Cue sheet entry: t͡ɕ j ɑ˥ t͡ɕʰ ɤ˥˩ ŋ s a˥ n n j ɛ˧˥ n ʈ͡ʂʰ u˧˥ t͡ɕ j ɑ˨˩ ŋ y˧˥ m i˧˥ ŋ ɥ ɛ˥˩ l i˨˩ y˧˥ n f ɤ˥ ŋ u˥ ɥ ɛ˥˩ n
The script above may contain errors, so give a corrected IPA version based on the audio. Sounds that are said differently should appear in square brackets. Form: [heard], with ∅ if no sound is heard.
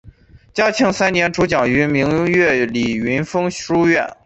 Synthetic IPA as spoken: t͡ɕ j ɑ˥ t͡ɕʰ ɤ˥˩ ŋ s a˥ n n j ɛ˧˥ n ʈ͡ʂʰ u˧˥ t͡ɕ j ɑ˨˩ ŋ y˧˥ m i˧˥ ŋ ɥ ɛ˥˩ l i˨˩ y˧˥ n f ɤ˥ ŋ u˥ ɥ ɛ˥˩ n

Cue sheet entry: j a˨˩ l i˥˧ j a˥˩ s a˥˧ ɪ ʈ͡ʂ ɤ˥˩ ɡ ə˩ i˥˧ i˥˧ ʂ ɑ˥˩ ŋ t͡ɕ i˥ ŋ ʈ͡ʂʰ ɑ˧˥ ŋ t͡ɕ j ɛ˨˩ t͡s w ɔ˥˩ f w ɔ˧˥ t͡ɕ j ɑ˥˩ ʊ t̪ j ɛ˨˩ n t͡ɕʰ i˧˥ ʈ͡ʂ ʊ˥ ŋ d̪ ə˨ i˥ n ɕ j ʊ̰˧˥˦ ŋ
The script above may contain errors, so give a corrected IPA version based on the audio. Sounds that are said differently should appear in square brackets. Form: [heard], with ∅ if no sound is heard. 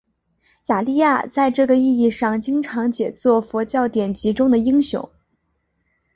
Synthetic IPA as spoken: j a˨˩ l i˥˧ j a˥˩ [t͡s] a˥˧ ɪ ʈ͡ʂ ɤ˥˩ ɡ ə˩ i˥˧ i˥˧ ʂ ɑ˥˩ ŋ t͡ɕ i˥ ŋ ʈ͡ʂʰ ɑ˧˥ ŋ t͡ɕ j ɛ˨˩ t͡s w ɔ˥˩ f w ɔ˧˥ t͡ɕ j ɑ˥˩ ʊ t̪ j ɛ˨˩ n [t͡ɕ] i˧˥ ʈ͡ʂ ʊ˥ ŋ d̪ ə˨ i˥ [ŋ] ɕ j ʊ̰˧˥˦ ŋ

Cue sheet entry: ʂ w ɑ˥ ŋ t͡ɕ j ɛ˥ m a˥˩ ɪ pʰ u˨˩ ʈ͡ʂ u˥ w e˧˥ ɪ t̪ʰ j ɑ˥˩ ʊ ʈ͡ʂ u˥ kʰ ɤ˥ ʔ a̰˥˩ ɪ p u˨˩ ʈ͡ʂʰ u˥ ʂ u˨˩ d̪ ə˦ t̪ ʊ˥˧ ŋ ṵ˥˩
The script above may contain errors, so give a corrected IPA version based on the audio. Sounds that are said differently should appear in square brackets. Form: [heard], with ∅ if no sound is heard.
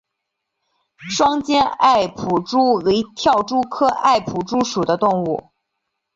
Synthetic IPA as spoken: ʂ w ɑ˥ ŋ t͡ɕ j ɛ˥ [n] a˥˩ ɪ pʰ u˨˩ ʈ͡ʂ u˥ w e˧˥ ɪ t̪ʰ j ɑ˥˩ ʊ ʈ͡ʂ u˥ kʰ ɤ˥ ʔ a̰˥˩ ɪ [pʰ] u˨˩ [ʈ͡ʂ] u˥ ʂ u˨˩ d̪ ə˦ t̪ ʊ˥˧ ŋ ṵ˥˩

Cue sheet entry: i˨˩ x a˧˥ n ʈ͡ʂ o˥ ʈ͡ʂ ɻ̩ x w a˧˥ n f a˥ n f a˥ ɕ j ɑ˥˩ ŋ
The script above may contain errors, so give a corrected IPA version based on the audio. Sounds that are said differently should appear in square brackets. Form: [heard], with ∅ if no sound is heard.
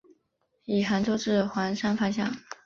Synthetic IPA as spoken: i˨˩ x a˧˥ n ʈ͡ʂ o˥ ʈ͡ʂ ɻ̩ x w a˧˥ n [ʂ] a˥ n f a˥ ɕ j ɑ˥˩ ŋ

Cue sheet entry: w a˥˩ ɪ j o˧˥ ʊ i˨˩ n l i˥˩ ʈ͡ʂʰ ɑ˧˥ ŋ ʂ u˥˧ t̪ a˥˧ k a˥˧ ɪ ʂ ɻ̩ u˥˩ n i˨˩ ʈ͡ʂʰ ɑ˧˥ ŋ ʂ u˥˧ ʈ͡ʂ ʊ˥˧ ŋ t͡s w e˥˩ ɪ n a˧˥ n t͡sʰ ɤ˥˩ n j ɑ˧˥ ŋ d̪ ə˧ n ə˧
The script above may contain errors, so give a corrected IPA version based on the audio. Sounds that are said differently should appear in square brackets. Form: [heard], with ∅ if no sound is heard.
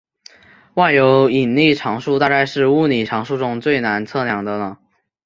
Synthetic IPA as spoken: w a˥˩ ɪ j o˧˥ ʊ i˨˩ n l i˥˩ ʈ͡ʂʰ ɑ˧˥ ŋ ʂ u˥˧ t̪ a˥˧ k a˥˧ ɪ ʂ ɻ̩ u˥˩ n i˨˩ ʈ͡ʂʰ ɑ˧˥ ŋ ʂ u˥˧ ʈ͡ʂ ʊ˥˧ ŋ t͡s w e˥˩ ɪ n a˧˥ n t͡sʰ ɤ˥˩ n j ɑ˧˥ ŋ d̪ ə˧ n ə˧

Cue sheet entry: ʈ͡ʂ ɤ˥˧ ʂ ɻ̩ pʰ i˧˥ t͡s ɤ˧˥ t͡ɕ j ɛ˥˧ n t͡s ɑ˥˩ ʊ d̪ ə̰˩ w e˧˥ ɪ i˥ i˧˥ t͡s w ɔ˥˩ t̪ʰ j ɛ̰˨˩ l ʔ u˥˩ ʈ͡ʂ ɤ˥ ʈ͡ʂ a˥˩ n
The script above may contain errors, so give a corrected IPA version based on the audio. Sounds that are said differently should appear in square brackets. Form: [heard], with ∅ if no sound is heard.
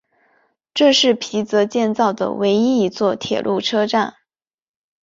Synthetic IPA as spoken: ʈ͡ʂ ɤ˥˧ ʂ ɻ̩ pʰ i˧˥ t͡s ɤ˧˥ t͡ɕ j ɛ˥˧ n t͡s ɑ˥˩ ʊ d̪ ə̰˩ w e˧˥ ɪ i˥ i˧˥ t͡s w ɔ˥˩ t̪ʰ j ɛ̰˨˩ l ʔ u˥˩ [ʈ͡ʂʰ] ɤ˥ ʈ͡ʂ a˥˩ n

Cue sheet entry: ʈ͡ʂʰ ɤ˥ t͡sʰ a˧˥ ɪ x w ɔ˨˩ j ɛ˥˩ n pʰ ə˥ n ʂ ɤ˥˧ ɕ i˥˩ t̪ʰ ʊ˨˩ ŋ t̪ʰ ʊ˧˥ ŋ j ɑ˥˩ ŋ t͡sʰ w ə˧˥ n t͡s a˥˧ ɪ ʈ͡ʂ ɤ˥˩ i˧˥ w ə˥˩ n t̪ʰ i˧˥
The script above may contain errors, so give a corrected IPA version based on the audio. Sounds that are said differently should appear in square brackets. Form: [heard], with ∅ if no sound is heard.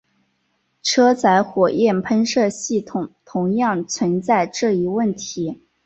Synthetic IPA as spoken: ʈ͡ʂʰ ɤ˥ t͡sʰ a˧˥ ɪ x w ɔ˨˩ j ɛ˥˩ n pʰ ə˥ n ʂ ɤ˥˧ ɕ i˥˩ t̪ʰ ʊ˨˩ ŋ t̪ʰ ʊ˧˥ ŋ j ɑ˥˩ ŋ t͡sʰ w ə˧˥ n t͡s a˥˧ ɪ ʈ͡ʂ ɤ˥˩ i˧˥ w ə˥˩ n t̪ʰ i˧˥

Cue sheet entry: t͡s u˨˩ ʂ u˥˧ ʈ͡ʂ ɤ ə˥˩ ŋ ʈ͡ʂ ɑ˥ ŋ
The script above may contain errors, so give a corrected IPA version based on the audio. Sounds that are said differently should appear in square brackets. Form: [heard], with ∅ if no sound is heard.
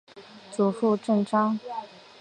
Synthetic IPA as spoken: t͡s u˨˩ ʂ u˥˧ ʈ͡ʂ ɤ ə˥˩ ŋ ʈ͡ʂ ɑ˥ ŋ

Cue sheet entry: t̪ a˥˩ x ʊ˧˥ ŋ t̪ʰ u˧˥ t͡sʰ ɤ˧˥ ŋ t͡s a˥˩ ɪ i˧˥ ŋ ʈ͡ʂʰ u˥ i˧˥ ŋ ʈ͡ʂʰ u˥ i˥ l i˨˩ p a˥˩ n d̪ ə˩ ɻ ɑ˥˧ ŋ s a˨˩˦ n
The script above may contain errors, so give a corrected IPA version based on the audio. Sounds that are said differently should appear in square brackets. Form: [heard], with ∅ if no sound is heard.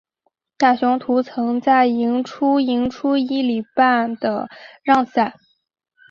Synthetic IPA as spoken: t̪ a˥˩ [ɕ] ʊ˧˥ ŋ t̪ʰ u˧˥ t͡sʰ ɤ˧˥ ŋ t͡s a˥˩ ɪ i˧˥ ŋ ʈ͡ʂʰ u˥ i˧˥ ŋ ʈ͡ʂʰ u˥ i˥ l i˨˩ p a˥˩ n d̪ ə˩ ɻ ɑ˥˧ ŋ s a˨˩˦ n

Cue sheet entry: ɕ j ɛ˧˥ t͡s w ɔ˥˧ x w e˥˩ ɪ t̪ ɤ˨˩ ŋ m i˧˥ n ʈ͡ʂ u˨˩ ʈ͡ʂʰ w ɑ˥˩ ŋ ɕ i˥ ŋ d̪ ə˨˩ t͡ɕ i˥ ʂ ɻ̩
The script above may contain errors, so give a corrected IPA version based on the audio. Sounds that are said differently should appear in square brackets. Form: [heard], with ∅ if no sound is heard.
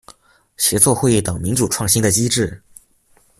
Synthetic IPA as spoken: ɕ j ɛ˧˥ t͡s w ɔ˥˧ x w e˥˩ ɪ t̪ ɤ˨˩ ŋ m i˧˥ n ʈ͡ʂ u˨˩ ʈ͡ʂʰ w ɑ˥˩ ŋ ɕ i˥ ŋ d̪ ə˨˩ t͡ɕ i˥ [ʈ͡ʂ] ɻ̩

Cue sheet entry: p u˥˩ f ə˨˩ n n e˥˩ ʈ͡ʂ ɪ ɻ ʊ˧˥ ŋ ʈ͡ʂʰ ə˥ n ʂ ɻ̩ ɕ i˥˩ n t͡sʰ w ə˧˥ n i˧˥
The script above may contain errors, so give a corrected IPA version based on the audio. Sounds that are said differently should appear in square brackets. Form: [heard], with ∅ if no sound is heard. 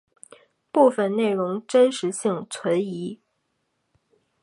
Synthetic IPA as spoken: p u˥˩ f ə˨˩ n n e˥˩ [∅] ɪ ɻ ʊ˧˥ ŋ [ʈ͡ʂ] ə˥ n ʂ ɻ̩ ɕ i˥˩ [ŋ] t͡sʰ w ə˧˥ n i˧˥

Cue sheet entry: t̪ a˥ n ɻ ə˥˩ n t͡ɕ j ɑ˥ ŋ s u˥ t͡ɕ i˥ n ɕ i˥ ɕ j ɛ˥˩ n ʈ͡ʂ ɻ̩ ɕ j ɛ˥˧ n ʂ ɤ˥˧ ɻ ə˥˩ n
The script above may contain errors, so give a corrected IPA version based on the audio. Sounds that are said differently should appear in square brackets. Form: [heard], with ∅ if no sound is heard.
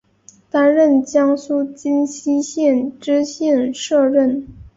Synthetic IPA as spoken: t̪ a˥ n ɻ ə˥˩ n t͡ɕ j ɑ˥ ŋ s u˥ t͡ɕ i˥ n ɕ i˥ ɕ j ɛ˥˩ n ʈ͡ʂ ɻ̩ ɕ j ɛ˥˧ n ʂ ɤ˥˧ ɻ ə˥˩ n

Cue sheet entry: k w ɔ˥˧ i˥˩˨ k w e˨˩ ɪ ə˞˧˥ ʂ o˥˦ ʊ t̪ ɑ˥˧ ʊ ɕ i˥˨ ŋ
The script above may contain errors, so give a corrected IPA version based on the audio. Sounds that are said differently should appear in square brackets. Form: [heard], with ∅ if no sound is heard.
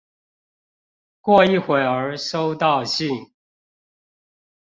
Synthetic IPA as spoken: k w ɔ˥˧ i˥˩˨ [x] w e˨˩ ɪ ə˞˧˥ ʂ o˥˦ ʊ t̪ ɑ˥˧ ʊ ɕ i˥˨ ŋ

